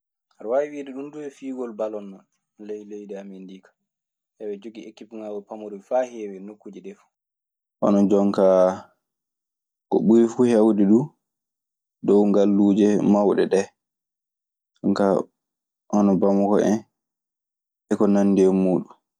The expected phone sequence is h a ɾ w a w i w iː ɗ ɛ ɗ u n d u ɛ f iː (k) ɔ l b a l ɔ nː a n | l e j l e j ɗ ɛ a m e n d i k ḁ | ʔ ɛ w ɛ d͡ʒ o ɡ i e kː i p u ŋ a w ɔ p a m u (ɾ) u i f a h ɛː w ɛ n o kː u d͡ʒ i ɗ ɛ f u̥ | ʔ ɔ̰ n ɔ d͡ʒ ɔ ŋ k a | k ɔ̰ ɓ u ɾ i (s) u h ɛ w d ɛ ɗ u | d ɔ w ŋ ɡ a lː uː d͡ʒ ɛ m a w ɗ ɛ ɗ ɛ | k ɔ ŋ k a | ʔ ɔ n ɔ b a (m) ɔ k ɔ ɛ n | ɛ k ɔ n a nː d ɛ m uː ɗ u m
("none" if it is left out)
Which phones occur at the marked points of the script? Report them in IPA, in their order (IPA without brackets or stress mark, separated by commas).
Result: ɡ, ɾ, f, m